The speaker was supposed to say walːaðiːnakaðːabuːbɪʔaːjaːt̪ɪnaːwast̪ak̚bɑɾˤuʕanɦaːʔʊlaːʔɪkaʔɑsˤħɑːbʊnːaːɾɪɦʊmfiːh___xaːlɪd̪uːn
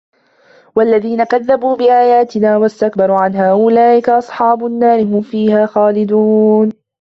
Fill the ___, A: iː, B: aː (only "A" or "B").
B